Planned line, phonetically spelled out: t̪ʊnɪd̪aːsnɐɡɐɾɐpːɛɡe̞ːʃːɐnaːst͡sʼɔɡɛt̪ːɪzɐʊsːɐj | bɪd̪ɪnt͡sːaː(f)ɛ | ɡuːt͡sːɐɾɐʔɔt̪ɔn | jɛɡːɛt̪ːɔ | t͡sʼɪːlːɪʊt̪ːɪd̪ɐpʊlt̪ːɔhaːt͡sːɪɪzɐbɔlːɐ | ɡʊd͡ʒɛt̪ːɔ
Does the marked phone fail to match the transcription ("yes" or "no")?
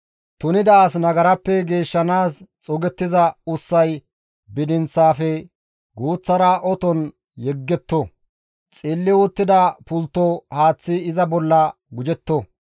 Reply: no